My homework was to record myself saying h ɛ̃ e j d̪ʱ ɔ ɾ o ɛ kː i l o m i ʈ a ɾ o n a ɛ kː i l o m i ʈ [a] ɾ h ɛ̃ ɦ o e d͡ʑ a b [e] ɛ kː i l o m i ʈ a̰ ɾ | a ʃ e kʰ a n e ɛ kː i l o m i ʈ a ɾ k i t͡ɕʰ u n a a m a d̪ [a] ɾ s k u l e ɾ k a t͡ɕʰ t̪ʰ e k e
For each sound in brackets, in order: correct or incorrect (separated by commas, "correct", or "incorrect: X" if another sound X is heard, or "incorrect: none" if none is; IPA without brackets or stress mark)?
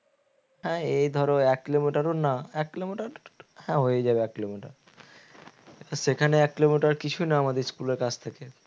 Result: correct, correct, incorrect: e